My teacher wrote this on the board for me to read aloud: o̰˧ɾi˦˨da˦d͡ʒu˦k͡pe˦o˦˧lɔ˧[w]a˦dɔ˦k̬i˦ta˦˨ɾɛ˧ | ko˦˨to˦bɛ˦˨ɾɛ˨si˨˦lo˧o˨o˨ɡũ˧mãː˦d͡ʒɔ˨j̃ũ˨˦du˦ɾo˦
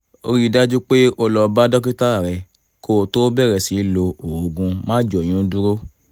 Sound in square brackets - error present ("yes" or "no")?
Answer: yes